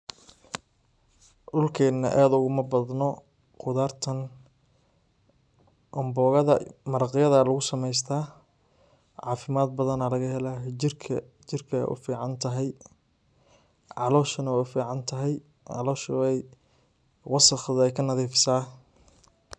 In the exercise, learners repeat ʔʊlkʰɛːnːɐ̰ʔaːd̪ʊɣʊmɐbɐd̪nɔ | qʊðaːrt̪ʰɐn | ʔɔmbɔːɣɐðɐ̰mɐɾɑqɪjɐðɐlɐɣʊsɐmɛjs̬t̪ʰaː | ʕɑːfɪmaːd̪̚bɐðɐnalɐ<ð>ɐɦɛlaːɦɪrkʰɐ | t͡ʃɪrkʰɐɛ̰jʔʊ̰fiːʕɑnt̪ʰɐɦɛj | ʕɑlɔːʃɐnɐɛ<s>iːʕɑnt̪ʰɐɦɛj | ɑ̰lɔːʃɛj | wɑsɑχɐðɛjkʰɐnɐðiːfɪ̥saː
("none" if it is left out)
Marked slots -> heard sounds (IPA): ɣ, f

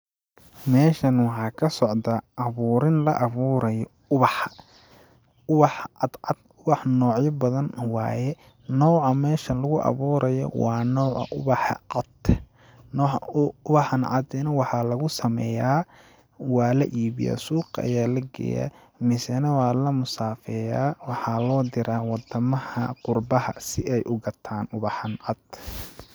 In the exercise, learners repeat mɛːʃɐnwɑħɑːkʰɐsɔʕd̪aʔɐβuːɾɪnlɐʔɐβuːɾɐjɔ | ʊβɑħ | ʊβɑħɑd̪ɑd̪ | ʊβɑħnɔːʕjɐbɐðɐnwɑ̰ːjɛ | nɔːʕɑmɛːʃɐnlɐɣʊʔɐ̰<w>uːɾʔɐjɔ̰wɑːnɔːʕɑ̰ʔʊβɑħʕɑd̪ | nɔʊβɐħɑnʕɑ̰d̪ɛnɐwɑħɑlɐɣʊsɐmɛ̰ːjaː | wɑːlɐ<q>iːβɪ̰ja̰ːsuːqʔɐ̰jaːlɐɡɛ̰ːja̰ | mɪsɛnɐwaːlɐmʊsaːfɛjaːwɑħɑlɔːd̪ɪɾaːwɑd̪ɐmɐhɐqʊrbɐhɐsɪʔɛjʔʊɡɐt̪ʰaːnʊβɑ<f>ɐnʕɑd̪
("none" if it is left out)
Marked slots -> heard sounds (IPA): β, ʔ, ħ

